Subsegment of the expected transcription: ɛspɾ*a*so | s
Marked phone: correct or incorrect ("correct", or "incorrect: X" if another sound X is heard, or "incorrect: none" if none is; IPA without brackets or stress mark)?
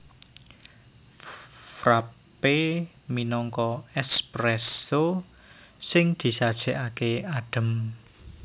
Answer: incorrect: ɛ